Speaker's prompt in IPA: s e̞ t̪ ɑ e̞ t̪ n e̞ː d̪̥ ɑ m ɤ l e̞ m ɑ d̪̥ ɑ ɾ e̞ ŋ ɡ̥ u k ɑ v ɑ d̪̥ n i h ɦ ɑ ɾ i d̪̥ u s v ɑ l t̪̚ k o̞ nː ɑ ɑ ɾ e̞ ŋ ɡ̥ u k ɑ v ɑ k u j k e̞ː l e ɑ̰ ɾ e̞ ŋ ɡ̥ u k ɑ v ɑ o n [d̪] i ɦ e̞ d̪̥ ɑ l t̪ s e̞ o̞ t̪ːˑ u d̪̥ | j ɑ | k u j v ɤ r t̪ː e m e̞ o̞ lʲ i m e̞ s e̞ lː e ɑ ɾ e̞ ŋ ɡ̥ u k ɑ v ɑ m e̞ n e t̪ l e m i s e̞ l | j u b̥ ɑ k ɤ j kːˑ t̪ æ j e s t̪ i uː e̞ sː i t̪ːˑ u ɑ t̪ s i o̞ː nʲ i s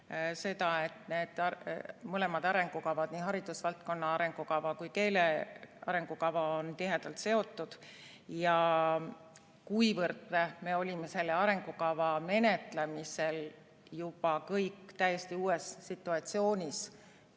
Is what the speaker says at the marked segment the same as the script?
no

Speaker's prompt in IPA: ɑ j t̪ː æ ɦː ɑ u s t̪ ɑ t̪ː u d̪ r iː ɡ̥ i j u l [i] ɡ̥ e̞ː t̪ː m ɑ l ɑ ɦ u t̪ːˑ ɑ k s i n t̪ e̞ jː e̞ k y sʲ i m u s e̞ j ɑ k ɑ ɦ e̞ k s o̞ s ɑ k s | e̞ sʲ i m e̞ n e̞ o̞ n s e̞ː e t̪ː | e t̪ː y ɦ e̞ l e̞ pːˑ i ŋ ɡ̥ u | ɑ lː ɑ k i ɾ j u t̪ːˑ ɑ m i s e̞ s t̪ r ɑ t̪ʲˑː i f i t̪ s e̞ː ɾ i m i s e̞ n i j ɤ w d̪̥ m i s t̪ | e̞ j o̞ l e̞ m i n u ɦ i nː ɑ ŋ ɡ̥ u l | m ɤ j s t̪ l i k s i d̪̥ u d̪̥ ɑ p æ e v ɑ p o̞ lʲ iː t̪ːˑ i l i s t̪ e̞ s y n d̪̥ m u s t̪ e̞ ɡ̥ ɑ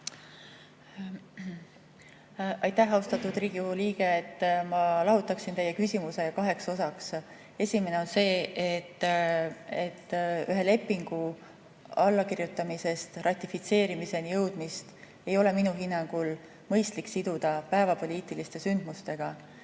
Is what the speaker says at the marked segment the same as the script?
no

